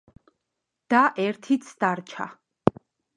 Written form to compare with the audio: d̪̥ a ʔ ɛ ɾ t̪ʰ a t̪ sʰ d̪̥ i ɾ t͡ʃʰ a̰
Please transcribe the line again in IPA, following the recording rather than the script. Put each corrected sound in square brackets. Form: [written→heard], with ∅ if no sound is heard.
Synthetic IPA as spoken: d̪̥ a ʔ ɛ ɾ t̪ʰ [a→i] t̪ sʰ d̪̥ [i→a] ɾ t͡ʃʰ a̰